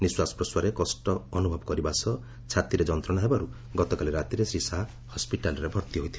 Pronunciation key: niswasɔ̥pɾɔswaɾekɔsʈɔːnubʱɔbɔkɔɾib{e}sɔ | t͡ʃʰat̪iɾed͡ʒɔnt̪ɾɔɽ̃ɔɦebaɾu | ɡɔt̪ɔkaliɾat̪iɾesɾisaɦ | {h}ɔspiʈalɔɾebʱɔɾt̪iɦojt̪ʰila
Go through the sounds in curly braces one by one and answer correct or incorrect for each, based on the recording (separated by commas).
incorrect, correct